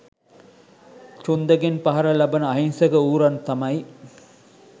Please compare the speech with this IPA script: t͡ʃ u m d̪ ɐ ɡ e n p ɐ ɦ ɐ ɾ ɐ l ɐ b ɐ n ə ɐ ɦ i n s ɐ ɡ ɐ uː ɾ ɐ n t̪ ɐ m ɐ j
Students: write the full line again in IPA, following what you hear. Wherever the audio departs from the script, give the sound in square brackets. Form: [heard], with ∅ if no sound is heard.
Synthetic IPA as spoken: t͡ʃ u [n] d̪ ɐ ɡ e n p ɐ ɦ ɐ ɾ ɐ l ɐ b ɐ n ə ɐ ɦ i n s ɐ ɡ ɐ uː ɾ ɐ n t̪ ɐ m ɐ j